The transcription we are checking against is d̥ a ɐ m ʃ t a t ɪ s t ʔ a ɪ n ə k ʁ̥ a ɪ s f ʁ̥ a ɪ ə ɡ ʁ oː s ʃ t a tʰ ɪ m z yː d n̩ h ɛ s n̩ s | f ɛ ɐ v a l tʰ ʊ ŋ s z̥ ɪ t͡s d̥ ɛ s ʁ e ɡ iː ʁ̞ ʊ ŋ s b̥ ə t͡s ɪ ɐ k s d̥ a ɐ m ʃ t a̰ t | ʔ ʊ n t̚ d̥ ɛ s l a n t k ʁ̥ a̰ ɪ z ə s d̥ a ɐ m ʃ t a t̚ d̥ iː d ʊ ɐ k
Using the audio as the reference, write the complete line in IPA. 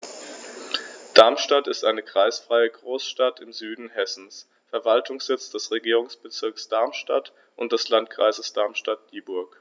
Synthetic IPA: d̥ a ɐ m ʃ t a t ɪ s t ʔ a ɪ n ə k ʁ̥ a ɪ s f ʁ̥ a ɪ ə ɡ ʁ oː s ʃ t a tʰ ɪ m z yː d n̩ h ɛ s n̩ s | f ɛ ɐ v a l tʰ ʊ ŋ s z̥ ɪ t͡s d̥ ɛ s ʁ e ɡ iː ʁ̞ ʊ ŋ s b̥ ə t͡s ɪ ɐ k s d̥ a ɐ m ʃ t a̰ t | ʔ ʊ n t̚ d̥ ɛ s l a n t k ʁ̥ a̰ ɪ z ə s d̥ a ɐ m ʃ t a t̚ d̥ iː b ʊ ɐ k